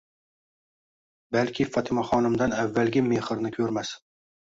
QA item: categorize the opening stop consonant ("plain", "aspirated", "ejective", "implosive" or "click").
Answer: plain